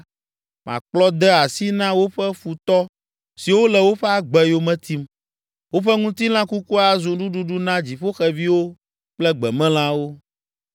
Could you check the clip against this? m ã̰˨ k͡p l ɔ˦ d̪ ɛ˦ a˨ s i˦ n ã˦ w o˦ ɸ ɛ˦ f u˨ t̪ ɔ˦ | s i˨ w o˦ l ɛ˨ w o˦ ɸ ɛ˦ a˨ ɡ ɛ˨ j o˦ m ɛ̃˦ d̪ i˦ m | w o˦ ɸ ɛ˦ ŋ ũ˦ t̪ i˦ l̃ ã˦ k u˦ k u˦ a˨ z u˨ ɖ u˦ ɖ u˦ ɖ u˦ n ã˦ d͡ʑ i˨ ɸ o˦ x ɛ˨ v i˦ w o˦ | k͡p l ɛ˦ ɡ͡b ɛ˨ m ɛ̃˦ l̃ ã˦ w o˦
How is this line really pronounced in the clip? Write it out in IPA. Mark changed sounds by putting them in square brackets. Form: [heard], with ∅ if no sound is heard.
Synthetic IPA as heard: m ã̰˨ k͡p l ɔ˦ d̪ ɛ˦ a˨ s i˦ n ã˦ w o˦ ɸ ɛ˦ f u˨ t̪ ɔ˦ | s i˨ w o˦ l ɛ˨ w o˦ ɸ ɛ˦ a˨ [ɡ͡b] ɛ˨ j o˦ m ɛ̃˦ [t̪] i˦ m | w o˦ ɸ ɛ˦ ŋ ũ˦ t̪ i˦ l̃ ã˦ k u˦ k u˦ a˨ z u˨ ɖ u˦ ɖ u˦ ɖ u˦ n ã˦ d͡ʑ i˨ ɸ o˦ x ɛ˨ v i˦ w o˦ | k͡p l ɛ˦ ɡ͡b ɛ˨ m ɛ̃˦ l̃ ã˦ w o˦